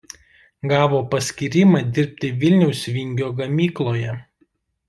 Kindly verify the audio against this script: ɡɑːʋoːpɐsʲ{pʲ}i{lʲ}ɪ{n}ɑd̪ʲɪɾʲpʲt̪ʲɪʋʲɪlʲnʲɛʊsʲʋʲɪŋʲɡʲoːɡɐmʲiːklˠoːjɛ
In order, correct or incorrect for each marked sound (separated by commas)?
incorrect, incorrect, incorrect